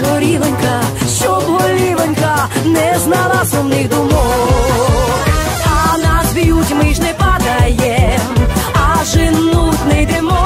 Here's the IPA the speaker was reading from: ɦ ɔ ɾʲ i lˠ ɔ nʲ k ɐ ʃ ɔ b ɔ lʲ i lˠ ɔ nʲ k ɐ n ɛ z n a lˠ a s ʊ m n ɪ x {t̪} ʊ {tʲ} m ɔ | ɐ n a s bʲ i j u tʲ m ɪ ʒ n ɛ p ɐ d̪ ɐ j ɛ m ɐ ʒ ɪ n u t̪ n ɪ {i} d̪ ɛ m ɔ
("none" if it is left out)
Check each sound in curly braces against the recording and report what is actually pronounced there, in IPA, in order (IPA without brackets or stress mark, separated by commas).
d̪, none, j